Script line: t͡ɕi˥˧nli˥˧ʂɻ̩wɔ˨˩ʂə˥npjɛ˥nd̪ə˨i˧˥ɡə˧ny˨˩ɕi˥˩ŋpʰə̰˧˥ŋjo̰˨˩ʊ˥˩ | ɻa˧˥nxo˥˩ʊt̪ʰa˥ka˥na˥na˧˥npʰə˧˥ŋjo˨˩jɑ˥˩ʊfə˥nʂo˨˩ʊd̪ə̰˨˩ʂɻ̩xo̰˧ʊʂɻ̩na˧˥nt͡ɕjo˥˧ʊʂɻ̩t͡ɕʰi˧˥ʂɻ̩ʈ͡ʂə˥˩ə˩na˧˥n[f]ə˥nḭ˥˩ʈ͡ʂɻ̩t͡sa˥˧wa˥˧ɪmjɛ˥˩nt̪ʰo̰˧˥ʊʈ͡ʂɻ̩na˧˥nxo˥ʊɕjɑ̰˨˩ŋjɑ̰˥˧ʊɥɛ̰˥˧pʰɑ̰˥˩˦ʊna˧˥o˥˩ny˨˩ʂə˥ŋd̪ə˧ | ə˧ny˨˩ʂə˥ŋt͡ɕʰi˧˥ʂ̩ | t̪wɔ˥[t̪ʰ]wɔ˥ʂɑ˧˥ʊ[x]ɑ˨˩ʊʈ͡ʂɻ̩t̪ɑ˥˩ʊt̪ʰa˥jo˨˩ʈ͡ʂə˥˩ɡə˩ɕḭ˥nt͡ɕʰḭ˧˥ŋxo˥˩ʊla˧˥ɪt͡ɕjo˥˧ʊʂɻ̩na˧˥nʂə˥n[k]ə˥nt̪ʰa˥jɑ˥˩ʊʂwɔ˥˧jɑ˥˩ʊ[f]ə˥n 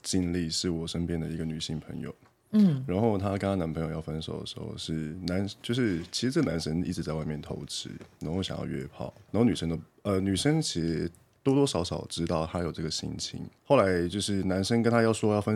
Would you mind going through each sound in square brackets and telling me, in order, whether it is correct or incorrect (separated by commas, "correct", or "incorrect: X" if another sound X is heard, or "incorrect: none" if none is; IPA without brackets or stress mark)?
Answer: incorrect: ʂ, incorrect: t̪, incorrect: ʂ, correct, correct